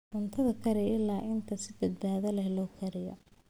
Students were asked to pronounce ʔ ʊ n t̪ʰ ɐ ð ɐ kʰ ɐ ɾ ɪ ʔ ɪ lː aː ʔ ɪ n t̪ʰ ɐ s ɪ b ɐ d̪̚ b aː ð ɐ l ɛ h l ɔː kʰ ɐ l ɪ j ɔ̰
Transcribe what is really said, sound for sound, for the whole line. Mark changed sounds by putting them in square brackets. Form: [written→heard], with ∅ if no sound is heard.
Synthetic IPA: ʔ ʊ n t̪ʰ ɐ ð ɐ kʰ ɐ ɾ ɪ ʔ ɪ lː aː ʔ ɪ n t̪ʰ ɐ s ɪ b ɐ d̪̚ b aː ð ɐ l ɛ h l ɔː kʰ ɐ [l→ɾ] ɪ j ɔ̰